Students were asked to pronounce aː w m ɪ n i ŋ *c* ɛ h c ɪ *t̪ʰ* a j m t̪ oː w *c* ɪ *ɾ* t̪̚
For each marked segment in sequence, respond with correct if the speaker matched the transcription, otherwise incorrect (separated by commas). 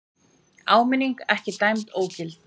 incorrect, incorrect, correct, incorrect